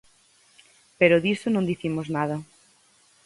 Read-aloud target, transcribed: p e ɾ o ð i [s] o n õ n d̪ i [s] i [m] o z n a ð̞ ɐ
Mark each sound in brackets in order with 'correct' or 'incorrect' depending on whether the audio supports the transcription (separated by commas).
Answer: correct, incorrect, correct